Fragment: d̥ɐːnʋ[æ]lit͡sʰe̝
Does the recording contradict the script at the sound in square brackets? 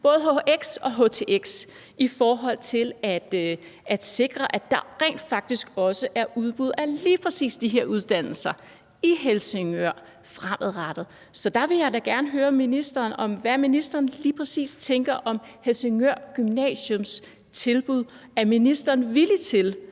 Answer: yes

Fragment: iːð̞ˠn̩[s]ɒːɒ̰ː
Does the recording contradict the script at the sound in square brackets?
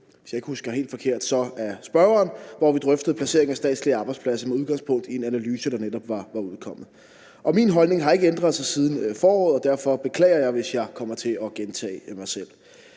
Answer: yes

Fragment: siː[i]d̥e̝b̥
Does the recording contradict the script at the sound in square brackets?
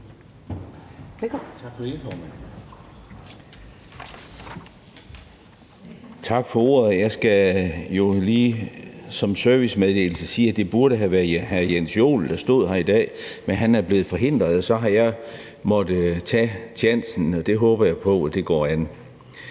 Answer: yes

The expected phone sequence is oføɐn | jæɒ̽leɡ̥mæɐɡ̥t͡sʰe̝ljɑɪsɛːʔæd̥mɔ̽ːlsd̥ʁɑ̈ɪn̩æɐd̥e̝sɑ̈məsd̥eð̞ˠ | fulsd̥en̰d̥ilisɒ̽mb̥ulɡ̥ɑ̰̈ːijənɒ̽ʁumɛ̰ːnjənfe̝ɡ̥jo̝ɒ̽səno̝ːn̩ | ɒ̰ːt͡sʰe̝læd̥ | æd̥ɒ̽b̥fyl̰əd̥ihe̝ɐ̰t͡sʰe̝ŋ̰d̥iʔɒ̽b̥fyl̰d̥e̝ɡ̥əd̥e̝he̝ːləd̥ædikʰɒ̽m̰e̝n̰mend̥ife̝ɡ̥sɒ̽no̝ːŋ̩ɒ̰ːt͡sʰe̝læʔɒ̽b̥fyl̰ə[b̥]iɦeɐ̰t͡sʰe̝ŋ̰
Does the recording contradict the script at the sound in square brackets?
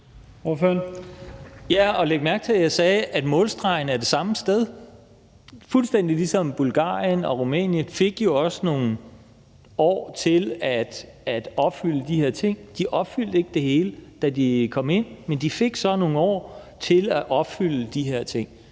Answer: yes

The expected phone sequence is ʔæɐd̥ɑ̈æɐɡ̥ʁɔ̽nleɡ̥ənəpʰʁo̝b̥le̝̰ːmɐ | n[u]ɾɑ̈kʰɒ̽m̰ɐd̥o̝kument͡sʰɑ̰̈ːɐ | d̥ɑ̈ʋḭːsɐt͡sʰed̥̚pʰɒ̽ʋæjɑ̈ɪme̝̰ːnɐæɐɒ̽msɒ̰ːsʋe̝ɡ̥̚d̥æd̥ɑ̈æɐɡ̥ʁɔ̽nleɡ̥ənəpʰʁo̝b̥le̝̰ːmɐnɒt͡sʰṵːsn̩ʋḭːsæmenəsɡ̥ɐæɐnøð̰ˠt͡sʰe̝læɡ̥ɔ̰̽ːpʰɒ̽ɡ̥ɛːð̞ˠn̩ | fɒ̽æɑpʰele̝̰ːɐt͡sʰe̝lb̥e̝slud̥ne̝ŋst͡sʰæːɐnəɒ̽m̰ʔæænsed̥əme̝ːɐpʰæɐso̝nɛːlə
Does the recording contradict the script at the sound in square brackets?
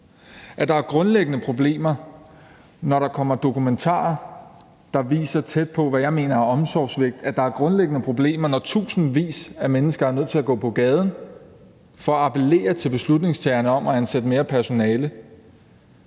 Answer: yes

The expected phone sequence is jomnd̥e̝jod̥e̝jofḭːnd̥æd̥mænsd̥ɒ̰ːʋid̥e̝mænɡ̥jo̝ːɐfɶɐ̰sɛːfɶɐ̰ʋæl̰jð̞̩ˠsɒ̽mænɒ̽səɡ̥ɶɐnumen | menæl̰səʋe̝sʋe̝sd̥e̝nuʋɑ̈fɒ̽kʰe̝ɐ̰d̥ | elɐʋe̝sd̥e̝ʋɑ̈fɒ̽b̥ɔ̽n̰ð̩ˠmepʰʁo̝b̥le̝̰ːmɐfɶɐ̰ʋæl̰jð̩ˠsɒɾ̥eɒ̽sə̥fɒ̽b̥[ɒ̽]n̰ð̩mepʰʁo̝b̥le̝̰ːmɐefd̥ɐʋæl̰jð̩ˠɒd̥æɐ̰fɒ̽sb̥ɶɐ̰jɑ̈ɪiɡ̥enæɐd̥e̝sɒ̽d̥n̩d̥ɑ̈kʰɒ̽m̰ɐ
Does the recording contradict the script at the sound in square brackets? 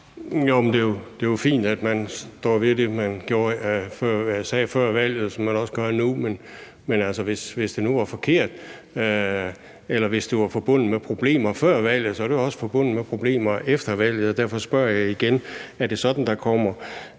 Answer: yes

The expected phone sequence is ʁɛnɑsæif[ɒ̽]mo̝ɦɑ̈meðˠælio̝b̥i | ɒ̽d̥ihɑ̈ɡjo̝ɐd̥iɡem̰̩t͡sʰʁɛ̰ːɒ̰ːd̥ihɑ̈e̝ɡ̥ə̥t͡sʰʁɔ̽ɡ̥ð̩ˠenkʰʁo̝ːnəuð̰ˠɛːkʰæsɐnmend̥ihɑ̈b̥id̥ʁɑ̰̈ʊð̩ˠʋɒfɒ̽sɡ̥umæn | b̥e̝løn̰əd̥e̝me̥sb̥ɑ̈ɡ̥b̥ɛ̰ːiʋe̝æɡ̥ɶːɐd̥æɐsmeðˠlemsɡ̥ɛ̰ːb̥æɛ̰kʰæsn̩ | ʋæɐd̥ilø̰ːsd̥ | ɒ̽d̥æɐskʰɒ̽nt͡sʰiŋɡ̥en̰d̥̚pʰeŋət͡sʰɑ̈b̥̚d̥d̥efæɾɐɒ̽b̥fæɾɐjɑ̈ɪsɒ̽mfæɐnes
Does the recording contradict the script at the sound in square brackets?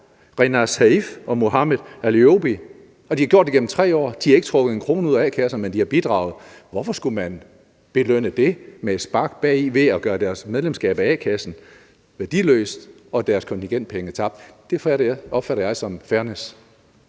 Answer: no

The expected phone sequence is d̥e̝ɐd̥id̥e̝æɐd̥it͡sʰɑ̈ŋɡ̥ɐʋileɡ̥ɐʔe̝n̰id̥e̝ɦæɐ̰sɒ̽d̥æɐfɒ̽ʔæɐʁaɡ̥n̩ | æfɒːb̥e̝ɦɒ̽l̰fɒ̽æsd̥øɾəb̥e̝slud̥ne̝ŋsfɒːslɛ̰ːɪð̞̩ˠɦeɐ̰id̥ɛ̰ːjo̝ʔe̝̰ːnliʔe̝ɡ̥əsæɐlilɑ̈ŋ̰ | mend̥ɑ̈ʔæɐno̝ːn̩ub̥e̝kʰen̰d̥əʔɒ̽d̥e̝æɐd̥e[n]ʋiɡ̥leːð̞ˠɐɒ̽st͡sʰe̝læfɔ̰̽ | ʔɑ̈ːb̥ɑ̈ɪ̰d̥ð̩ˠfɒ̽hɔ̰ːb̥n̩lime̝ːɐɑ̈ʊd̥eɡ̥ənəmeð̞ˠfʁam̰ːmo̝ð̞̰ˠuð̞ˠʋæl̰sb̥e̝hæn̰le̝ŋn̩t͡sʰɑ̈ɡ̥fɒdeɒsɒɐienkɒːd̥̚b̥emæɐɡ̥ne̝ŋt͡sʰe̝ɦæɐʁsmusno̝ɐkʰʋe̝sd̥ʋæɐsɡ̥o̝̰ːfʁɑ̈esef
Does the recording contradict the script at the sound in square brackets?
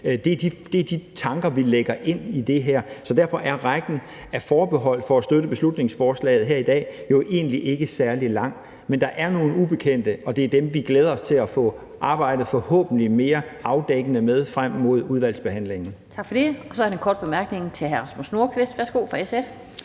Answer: yes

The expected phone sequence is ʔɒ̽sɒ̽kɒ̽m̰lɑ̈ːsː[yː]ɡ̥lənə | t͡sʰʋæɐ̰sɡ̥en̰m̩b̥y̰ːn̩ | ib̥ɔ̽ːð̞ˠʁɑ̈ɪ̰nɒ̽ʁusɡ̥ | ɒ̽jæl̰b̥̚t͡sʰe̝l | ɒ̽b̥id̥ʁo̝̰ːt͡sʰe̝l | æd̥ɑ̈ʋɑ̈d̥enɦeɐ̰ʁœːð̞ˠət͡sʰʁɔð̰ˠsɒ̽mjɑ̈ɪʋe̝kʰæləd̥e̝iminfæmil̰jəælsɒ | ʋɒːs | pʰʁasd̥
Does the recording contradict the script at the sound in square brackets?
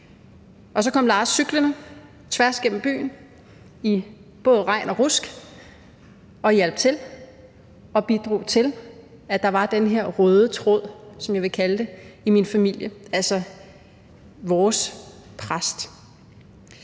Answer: yes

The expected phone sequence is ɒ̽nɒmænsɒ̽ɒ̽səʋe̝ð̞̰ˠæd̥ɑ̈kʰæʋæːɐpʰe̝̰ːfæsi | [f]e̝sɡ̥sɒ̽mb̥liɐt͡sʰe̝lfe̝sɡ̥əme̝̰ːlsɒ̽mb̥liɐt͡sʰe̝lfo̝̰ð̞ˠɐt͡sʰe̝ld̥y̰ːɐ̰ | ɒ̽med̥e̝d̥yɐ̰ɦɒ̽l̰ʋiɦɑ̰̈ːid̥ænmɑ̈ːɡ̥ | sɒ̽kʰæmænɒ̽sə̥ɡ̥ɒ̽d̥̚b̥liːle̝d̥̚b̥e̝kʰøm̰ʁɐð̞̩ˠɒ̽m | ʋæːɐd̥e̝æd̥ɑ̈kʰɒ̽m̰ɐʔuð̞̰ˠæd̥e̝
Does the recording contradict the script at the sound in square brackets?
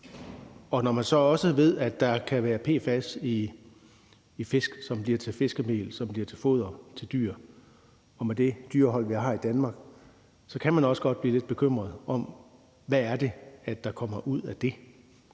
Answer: no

